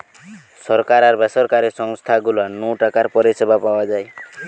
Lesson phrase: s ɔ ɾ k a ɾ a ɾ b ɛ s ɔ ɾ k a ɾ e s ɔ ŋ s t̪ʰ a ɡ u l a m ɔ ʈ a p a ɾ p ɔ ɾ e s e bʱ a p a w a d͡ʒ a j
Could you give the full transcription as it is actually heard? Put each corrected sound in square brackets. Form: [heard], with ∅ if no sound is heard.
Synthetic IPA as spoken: s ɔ ɾ k a ɾ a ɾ b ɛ s ɔ ɾ k a ɾ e s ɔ ŋ s t̪ʰ a ɡ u l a [n] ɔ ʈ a [k] a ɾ p ɔ ɾ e s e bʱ a p a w a d͡ʒ a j